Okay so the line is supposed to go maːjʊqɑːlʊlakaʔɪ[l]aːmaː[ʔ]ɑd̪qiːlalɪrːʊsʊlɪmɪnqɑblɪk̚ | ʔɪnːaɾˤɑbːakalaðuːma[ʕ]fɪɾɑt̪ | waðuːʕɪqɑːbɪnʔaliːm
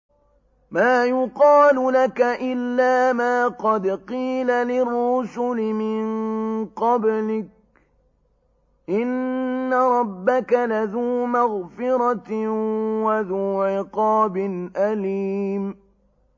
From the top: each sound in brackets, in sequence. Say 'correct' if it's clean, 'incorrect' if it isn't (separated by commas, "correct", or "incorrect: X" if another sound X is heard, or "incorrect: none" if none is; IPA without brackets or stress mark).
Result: incorrect: lː, incorrect: q, incorrect: ɣ